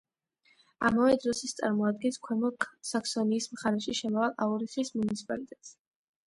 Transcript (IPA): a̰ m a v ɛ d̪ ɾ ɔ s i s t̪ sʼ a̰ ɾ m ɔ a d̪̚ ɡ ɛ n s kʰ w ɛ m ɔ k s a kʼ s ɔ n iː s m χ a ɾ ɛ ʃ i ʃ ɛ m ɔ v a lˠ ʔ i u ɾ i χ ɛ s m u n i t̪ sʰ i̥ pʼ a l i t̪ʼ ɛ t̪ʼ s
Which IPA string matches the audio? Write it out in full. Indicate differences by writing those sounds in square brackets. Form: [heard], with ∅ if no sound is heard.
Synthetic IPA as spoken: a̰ m a v ɛ d̪ ɾ ɔ s i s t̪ sʼ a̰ ɾ m ɔ a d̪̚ ɡ ɛ n s kʰ w ɛ m ɔ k s a [k] s ɔ n iː s m χ a ɾ ɛ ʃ i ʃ ɛ m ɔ v a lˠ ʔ [a] u ɾ i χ [i] s m u n i t̪ sʰ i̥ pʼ a l i t̪ʼ ɛ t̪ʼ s